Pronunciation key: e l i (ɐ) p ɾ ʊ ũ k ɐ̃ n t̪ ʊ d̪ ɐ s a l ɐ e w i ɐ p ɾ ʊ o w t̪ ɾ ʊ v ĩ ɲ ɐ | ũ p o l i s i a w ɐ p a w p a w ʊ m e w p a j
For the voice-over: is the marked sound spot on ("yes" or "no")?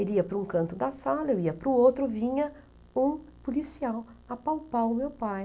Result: yes